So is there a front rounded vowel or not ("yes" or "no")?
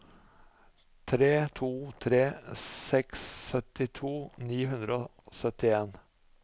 yes